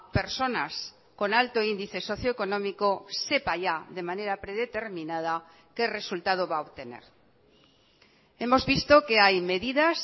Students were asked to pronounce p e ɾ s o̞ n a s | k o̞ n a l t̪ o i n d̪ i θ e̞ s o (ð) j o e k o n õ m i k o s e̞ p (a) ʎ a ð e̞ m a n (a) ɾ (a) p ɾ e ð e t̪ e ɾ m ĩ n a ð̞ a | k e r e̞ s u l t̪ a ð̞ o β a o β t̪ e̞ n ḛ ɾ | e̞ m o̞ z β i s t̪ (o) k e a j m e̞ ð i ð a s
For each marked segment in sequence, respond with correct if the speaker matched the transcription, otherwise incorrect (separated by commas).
incorrect, correct, incorrect, correct, correct